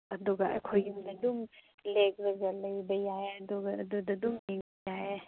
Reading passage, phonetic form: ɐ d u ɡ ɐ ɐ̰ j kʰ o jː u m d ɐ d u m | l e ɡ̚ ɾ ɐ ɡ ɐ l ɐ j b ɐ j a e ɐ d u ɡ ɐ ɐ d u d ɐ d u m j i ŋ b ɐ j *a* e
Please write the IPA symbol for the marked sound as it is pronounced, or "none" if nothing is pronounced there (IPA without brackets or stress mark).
a